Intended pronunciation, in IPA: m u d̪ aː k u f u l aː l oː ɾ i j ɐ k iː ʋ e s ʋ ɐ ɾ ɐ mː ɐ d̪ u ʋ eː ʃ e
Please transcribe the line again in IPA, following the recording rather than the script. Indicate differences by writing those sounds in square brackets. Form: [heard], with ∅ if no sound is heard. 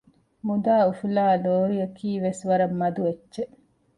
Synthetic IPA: m u d̪ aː [∅] u f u l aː l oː ɾ i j ɐ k iː ʋ e s ʋ ɐ ɾ ɐ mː ɐ d̪ u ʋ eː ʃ e

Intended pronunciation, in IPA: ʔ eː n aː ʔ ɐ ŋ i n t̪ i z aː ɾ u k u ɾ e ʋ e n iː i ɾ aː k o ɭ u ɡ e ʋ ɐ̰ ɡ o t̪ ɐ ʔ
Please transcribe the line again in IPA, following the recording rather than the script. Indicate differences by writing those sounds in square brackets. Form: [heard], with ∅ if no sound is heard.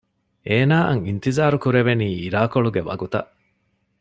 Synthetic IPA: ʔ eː n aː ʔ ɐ ŋ i n t̪ i z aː ɾ u k u ɾ e ʋ e n iː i ɾ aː k o ɭ u ɡ e ʋ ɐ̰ ɡ [u] t̪ ɐ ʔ

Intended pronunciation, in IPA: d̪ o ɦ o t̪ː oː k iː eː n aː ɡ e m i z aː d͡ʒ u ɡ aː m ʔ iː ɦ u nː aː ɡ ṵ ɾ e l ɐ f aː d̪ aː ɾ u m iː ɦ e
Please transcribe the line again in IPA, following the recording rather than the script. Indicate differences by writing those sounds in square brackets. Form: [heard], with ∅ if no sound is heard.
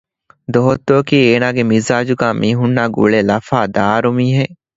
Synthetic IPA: d̪ o ɦ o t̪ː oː k iː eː n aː ɡ e m i z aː d͡ʒ u ɡ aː m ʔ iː ɦ u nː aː ɡ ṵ [ɭ] e l ɐ f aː d̪ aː ɾ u m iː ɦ e

